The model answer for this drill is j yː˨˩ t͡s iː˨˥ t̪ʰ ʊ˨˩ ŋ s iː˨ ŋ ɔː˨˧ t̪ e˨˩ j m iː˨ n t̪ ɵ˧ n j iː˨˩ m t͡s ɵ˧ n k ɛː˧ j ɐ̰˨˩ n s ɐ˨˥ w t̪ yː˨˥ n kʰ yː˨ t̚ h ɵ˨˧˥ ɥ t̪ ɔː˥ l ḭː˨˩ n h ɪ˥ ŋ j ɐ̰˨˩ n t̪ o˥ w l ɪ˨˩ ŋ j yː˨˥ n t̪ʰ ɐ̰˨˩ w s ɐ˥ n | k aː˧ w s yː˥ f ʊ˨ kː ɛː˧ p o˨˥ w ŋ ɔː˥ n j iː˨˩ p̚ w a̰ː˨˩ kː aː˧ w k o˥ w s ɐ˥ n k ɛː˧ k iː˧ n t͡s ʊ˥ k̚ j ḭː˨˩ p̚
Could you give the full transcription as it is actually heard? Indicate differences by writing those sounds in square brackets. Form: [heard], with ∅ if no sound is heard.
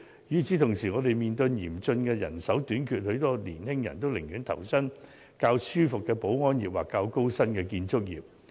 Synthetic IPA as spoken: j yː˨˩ t͡s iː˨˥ t̪ʰ ʊ˨˩ ŋ s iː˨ ŋ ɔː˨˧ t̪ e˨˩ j m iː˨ n t̪ ɵ˧ n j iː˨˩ m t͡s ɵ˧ n k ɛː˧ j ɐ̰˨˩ n s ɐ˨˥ w t̪ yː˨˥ n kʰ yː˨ t̚ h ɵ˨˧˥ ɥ t̪ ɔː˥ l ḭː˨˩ n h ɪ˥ ŋ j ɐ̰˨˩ n t̪ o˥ w l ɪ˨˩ ŋ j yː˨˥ n t̪ʰ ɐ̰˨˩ w s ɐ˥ n | k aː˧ w s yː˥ f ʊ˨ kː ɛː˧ p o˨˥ w ŋ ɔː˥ n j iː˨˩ p̚ w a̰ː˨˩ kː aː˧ w k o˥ w s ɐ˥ n k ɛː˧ k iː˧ n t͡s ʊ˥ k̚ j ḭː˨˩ p̚

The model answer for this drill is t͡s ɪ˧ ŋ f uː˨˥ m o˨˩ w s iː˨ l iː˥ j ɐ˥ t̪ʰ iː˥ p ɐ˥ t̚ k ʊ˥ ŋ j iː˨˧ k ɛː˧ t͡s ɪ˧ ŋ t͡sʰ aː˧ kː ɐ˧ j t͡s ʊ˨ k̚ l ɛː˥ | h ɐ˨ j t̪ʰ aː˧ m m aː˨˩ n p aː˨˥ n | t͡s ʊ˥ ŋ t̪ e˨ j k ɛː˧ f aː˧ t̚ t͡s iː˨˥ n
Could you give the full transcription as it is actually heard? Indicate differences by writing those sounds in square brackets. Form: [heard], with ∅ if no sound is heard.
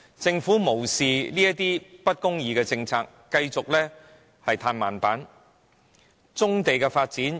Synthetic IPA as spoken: t͡s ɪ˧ ŋ f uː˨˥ m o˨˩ w s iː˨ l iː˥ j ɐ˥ [t̪] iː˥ p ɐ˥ t̚ k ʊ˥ ŋ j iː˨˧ k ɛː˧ t͡s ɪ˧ ŋ t͡sʰ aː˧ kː ɐ˧ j t͡s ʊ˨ k̚ l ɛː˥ | h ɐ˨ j t̪ʰ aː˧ [n] m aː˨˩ n p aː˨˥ n | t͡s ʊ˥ ŋ t̪ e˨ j k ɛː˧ f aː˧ t̚ t͡s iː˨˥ n

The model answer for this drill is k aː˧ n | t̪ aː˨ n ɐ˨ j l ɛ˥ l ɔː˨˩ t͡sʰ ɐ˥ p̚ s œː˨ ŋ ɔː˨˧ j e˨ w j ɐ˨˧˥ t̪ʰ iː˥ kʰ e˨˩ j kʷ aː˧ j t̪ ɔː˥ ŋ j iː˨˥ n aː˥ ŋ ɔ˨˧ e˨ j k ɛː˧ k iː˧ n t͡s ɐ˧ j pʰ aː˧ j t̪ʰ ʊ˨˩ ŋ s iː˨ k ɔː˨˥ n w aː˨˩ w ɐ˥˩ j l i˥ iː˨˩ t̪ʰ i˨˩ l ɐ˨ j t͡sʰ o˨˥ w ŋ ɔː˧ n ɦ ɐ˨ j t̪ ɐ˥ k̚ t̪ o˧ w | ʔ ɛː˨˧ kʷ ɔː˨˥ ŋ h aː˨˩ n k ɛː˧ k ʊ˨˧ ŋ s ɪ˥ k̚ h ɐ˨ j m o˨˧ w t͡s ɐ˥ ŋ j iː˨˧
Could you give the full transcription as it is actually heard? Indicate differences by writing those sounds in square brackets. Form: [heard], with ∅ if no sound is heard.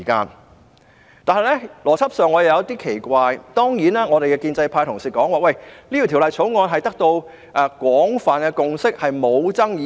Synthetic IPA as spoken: k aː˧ n | t̪ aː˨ n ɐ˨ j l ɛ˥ l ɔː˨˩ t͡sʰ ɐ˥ p̚ s œː˨ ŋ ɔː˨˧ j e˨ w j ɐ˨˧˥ [t̪] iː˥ kʰ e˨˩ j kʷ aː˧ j t̪ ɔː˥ ŋ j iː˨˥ n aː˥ ŋ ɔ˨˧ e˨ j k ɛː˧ k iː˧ n t͡s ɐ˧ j pʰ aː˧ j t̪ʰ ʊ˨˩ ŋ s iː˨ k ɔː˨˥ [ŋ] w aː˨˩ w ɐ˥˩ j l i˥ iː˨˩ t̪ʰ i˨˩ l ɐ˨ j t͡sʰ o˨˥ w ŋ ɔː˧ n ɦ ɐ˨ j t̪ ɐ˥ k̚ t̪ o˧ w | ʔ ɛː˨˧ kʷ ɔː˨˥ ŋ [f] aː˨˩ n k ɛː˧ k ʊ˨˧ ŋ s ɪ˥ k̚ h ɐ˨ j m o˨˧ w t͡s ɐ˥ ŋ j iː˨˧

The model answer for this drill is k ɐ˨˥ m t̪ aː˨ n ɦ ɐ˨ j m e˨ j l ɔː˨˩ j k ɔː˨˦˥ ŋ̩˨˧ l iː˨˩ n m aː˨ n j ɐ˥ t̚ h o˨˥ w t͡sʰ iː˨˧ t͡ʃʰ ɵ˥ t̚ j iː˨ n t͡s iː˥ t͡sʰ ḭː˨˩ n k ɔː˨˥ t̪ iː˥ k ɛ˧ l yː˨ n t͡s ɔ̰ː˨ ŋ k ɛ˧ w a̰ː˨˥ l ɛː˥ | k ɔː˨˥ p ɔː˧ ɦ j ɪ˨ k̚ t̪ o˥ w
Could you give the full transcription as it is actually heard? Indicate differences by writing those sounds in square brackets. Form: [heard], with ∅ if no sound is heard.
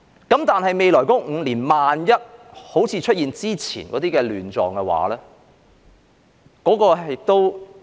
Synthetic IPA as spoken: k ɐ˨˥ m t̪ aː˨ n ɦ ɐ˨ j m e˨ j l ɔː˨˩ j k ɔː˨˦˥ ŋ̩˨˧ l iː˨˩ n m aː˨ n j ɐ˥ t̚ h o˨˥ w t͡sʰ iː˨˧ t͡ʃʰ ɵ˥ t̚ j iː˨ n t͡s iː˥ t͡sʰ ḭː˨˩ n k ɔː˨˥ t̪ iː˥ k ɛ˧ l yː˨ n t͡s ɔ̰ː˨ ŋ k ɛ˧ w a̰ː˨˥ l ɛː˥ | k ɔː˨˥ [k] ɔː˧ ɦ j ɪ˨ k̚ t̪ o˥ w

